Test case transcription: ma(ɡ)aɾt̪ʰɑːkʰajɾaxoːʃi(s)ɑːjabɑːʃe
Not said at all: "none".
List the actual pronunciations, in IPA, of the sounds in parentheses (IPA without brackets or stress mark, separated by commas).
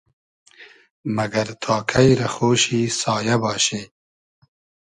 ɡ, s